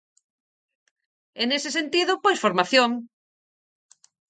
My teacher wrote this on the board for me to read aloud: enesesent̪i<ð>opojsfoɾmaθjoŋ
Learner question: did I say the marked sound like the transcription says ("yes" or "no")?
yes